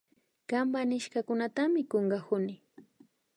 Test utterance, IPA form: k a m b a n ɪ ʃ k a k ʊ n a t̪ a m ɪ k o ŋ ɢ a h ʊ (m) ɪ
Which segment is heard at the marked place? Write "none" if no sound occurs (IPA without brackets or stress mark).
n